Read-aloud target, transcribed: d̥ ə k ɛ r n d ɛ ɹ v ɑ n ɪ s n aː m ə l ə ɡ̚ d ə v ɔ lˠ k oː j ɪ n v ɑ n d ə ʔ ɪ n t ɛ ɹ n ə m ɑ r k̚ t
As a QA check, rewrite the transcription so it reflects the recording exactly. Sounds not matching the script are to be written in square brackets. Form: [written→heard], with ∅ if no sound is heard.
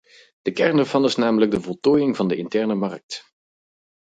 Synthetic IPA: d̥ ə k ɛ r n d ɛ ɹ v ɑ n ɪ s n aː m ə l ə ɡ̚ d ə v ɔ lˠ [k→t] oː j ɪ [n→ŋ] v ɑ n d ə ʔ ɪ n t ɛ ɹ n ə m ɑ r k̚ t

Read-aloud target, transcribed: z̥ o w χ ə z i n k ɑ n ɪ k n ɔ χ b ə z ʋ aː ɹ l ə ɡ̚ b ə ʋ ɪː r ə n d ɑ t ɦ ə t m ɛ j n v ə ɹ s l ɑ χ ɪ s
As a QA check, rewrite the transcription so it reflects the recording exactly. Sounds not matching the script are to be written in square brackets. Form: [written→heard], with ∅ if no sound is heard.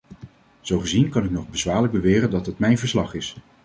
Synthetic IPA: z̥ o w χ ə z i n k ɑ n ɪ k n ɔ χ b ə z ʋ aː ɹ l ə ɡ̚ b ə ʋ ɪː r ə n d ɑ t ɦ ə t m ɛ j n v ə ɹ s l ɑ χ ɪ s

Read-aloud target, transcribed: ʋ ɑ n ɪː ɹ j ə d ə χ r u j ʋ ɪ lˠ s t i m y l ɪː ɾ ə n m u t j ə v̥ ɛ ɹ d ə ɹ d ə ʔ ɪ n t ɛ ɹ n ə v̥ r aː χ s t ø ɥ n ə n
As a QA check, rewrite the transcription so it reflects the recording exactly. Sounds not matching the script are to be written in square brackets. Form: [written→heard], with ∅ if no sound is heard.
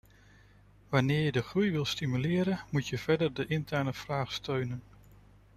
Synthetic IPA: ʋ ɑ n ɪː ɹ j ə d ə χ r u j ʋ ɪ lˠ s t i m y l ɪː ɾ ə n m u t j ə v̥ ɛ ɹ d ə ɹ d ə ʔ ɪ n t ɛ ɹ n ə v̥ r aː χ s t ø ɥ n ə n

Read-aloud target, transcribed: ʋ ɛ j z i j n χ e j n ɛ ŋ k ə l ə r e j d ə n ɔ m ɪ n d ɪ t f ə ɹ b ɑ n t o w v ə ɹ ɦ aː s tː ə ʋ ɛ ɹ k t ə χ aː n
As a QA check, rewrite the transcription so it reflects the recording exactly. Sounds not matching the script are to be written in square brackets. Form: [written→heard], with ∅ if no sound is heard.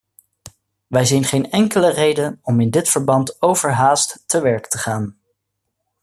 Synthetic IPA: ʋ ɛ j z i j n χ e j n ɛ ŋ k ə l ə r e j d ə n ɔ m ɪ n d ɪ t f ə ɹ b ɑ n t o w v ə ɹ ɦ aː s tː ə ʋ ɛ ɹ k t ə χ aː n

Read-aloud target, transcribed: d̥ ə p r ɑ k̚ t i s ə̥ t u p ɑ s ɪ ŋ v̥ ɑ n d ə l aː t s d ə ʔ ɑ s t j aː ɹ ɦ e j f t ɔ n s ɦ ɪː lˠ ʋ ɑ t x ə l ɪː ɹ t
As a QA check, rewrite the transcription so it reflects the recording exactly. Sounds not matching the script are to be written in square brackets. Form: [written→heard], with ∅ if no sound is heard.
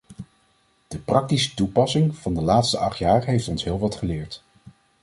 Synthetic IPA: d̥ ə p r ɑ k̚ t i s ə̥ t u p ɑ s ɪ ŋ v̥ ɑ n d ə l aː t s [d→t] ə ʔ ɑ [s→χ] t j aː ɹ ɦ e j f t ɔ n s ɦ ɪː lˠ ʋ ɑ t [x→χ] ə l ɪː ɹ t

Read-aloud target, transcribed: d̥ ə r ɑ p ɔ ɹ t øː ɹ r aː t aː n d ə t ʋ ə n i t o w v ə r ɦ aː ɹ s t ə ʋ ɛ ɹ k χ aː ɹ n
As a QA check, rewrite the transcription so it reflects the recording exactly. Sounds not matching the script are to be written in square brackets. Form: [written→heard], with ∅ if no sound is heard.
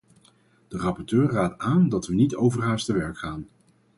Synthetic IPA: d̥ ə r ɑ p ɔ ɹ t øː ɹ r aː t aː n d [ə→ɑ] t ʋ ə n i t o w v ə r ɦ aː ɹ s t ə ʋ ɛ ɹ k χ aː [ɹ→∅] n

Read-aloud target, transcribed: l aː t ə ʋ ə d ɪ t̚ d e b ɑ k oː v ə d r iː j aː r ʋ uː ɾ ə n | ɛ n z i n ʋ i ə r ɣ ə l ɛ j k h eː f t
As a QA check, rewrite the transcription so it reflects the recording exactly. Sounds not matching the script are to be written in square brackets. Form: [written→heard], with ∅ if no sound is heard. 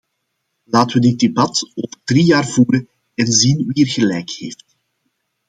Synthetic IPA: l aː t ə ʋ ə d ɪ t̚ d e b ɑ [k→t] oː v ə d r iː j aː r [ʋ→v] uː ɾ ə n | ɛ n z i n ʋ i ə r ɣ ə l ɛ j k h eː f t

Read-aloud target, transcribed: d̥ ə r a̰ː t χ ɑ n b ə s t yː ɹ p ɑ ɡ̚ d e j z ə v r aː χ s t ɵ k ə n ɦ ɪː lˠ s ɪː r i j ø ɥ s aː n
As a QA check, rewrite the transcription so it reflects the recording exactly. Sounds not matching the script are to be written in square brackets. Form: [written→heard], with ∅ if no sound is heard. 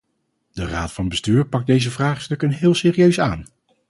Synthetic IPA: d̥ ə r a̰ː t [χ→f] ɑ n b ə s t yː ɹ p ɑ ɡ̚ d e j z ə v r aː χ s t ɵ k ə n ɦ ɪː lˠ s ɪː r i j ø ɥ s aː n

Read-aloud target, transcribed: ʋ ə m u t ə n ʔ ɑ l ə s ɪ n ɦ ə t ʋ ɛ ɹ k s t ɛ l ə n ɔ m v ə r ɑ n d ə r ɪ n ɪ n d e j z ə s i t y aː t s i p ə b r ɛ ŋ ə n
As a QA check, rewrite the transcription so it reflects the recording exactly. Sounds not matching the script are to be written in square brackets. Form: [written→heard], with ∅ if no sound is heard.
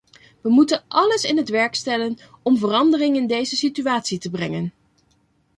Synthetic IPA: ʋ ə m u t ə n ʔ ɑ l ə s ɪ n ɦ ə t ʋ ɛ ɹ k s t ɛ l ə n ɔ m v ə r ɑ n d ə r ɪ [n→ŋ] ɪ n d e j z ə s i t y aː t s i [p→t] ə b r ɛ ŋ ə n

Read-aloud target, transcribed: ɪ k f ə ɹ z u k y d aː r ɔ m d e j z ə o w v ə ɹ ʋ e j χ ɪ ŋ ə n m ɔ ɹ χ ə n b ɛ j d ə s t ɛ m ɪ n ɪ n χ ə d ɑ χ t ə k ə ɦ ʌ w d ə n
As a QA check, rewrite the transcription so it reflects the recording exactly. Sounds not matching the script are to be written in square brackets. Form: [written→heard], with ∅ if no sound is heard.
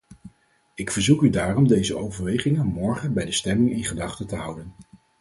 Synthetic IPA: ɪ k f ə ɹ z u k y d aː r ɔ m d e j z ə o w v ə ɹ ʋ e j χ ɪ ŋ ə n m ɔ ɹ χ ə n b ɛ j d ə s t ɛ m ɪ [n→ŋ] ɪ n χ ə d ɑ χ t ə [k→t] ə ɦ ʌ w d ə n

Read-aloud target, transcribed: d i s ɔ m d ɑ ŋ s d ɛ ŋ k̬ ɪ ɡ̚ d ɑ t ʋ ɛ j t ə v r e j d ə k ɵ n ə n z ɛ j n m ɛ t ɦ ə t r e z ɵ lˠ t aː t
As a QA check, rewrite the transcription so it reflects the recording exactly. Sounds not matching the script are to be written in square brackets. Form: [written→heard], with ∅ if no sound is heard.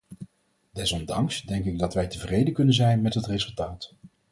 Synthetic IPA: d [i→ɛ] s ɔ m d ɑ ŋ s d ɛ ŋ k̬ ɪ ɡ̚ d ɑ t ʋ ɛ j t ə v r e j d ə k ɵ n ə n z ɛ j n m ɛ t ɦ ə t r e z ɵ lˠ t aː t

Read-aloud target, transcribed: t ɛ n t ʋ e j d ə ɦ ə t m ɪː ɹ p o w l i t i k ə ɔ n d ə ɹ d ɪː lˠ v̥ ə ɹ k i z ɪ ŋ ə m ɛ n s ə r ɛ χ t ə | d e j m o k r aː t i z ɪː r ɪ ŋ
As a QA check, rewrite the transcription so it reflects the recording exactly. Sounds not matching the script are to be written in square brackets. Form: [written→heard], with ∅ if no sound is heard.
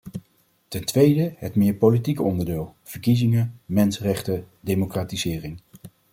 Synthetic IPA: t ɛ n t ʋ e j d ə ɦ ə t m ɪː ɹ p o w l i t i k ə ɔ n d ə ɹ d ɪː lˠ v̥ ə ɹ k i z ɪ ŋ ə m ɛ n s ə r ɛ χ t ə | d e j m o k r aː t i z ɪː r ɪ ŋ

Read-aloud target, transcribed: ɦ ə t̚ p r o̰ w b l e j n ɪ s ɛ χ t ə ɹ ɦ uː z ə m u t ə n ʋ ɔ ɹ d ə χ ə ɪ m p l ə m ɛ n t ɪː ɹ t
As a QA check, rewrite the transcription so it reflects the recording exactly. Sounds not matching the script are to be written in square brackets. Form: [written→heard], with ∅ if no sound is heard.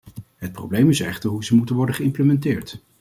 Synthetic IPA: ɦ ə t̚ p r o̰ w b l e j [n→m] ɪ s ɛ χ t ə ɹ ɦ [uː→u] z ə m u t ə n ʋ ɔ ɹ d ə χ ə ɪ m p l ə m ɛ n t ɪː ɹ t

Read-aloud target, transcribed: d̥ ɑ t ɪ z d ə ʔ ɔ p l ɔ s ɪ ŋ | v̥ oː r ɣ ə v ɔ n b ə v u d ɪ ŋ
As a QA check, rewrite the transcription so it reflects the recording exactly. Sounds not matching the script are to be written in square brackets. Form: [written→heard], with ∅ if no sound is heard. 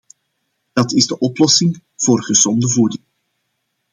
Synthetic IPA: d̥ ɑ t ɪ z d ə ʔ ɔ p l ɔ s ɪ ŋ | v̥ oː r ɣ ə [v→z] ɔ n [b→d] ə v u d ɪ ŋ

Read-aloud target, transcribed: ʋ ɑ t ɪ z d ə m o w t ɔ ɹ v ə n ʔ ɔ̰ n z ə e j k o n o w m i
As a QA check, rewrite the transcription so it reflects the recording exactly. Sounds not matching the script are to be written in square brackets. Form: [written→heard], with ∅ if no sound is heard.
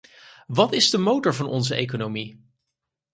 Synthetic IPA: ʋ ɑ t ɪ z d ə m o w t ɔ ɹ v [ə→ɑ] n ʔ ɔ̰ n z ə e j k o n o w m i

